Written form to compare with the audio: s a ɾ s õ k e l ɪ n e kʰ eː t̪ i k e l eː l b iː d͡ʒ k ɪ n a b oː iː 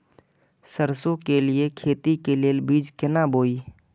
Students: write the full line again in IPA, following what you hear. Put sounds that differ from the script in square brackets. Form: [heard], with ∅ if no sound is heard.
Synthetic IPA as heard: s [ə] ɾ s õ k e l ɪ [∅] e kʰ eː t̪ i k e l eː l b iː d͡ʒ k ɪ n a b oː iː